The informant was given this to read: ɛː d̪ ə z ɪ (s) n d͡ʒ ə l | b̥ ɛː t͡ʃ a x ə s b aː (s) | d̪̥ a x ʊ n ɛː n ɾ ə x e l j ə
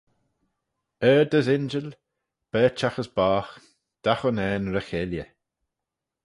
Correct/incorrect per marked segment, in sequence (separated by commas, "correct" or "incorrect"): incorrect, incorrect